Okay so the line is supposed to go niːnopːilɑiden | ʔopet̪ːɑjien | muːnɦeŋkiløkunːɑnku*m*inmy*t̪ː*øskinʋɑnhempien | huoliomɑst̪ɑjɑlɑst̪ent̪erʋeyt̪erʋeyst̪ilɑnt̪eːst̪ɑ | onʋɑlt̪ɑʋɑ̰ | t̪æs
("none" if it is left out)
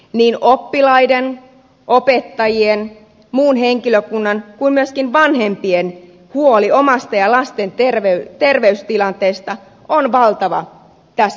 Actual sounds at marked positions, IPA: none, none

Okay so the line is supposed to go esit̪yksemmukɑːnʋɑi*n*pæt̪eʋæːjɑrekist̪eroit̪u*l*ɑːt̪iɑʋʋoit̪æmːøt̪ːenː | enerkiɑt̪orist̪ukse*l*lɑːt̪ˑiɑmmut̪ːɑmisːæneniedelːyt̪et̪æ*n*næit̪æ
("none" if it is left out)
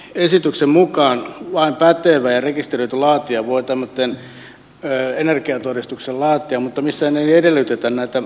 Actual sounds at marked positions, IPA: m, l, l, n

